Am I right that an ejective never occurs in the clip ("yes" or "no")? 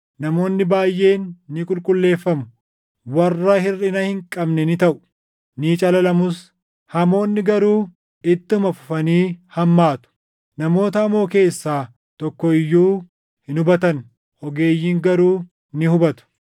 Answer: no